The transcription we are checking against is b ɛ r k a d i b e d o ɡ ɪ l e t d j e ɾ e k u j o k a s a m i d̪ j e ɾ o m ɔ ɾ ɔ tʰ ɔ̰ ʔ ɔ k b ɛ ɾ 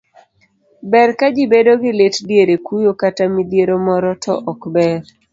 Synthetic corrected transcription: b ɛ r k a d͡ʒ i b e d o ɡ ɪ l e t d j e ɾ e k u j o k a t a m i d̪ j e ɾ o m ɔ ɾ ɔ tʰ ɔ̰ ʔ ɔ k b ɛ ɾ